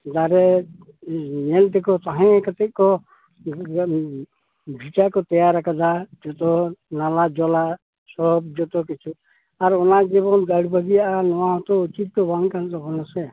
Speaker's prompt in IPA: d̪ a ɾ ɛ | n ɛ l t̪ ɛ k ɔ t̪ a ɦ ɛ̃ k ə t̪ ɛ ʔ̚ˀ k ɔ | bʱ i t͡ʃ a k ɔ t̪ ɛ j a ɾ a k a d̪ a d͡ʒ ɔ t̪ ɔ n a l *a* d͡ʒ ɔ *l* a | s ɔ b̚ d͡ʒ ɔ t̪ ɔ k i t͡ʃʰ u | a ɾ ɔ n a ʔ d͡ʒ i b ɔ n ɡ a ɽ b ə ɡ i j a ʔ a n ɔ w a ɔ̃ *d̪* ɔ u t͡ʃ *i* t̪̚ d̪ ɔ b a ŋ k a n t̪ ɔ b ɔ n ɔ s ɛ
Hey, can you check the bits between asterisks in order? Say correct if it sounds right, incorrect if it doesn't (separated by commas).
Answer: correct, correct, incorrect, correct